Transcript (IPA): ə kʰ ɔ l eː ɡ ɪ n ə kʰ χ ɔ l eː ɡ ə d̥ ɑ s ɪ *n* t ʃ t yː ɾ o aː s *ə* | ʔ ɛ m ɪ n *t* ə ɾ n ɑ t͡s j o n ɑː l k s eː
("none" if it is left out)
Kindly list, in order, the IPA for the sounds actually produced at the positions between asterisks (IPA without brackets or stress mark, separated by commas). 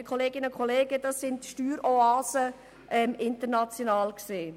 n, ə, t